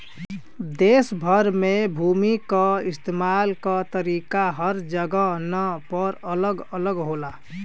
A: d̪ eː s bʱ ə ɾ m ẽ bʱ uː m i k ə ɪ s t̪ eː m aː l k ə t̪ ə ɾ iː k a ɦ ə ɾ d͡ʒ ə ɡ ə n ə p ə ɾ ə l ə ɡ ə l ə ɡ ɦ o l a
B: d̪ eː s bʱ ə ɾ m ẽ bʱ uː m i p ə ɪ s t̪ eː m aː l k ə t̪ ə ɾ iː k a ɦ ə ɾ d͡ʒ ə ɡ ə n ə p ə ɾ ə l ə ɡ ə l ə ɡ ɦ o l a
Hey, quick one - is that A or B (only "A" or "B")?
A